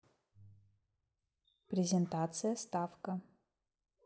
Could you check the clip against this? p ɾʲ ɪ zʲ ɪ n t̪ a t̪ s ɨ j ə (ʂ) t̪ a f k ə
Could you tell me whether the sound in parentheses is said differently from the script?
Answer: yes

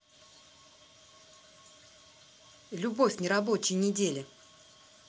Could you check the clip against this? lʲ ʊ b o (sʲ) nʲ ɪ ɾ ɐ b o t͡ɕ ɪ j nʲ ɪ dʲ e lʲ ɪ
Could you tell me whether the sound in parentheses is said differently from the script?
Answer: yes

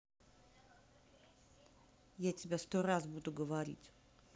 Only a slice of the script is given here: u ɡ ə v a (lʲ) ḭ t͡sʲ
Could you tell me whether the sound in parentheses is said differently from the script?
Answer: yes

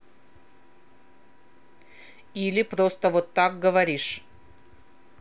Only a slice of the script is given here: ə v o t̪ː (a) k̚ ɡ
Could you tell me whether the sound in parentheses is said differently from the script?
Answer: no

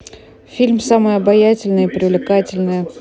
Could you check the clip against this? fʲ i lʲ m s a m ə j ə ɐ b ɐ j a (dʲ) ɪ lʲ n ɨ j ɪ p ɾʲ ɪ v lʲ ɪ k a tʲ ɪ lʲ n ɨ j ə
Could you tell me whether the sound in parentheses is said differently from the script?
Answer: yes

